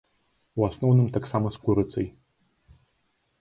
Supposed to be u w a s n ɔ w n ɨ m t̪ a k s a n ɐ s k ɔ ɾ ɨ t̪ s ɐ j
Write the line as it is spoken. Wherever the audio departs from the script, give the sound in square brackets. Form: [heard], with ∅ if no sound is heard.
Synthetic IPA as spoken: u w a s n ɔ w n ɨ m t̪ a k s a [m] ɐ s k [u] ɾ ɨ t̪ s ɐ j